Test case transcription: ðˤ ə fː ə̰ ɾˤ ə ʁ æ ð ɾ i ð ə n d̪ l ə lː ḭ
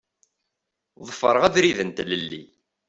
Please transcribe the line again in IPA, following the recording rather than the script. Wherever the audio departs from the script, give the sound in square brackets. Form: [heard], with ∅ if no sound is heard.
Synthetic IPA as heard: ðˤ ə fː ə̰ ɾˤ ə ʁ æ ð ɾ i ð ə n [t̪] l ə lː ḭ